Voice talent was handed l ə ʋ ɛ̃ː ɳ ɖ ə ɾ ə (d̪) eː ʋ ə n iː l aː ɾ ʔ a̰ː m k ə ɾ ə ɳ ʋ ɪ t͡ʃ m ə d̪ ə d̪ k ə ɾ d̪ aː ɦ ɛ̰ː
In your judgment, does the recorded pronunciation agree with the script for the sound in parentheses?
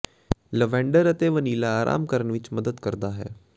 no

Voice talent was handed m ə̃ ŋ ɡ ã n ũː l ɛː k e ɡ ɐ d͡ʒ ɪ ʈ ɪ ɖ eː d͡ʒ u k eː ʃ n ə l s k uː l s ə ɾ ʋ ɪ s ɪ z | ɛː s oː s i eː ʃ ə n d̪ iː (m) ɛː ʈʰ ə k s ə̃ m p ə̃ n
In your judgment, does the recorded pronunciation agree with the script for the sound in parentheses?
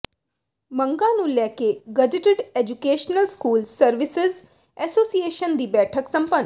no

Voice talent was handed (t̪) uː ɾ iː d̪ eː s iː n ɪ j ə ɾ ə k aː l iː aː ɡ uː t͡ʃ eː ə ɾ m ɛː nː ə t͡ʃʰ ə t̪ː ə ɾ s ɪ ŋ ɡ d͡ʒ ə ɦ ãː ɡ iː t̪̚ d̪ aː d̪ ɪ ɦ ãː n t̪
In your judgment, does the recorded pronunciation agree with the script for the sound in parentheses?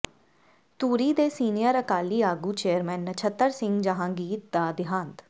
yes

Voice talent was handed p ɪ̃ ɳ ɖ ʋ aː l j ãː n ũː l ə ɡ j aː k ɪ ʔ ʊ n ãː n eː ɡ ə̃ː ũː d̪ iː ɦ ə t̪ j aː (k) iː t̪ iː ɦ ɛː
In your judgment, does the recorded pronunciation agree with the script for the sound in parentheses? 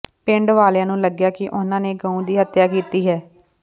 yes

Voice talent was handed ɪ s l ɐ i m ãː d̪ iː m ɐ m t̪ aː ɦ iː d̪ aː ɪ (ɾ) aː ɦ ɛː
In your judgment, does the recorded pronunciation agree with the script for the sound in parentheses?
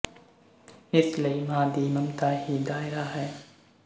yes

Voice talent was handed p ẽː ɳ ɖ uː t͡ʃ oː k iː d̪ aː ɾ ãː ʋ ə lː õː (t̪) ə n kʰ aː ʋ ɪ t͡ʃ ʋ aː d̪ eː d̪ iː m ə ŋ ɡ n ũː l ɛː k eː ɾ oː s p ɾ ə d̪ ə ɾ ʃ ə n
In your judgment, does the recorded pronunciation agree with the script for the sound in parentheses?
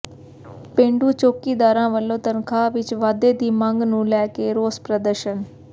yes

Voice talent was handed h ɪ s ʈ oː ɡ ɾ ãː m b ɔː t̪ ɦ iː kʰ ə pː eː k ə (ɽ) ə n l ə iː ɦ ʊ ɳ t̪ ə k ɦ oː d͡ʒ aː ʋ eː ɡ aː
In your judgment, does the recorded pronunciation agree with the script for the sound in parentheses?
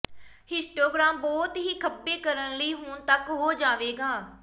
no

